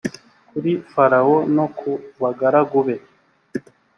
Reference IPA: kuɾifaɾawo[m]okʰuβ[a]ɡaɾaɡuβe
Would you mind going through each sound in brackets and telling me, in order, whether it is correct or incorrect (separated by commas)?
incorrect, correct